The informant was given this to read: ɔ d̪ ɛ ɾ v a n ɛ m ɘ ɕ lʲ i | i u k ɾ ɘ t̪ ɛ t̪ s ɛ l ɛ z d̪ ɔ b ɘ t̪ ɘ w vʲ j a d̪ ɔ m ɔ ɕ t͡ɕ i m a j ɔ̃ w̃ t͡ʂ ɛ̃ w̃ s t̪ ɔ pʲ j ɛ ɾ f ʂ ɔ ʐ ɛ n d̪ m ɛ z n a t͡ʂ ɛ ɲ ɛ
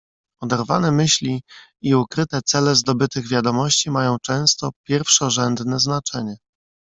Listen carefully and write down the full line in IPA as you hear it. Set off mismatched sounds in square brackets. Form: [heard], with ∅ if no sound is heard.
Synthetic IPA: ɔ d̪ ɛ ɾ v a n ɛ m ɘ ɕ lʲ i | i u k ɾ ɘ t̪ ɛ t̪ s ɛ l ɛ z d̪ ɔ b ɘ t̪ ɘ [ɣ] vʲ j a d̪ ɔ m ɔ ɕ t͡ɕ i m a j ɔ̃ w̃ t͡ʂ ɛ̃ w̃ s t̪ ɔ pʲ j ɛ ɾ f ʂ ɔ ʐ ɛ n d̪ [n] ɛ z n a t͡ʂ ɛ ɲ ɛ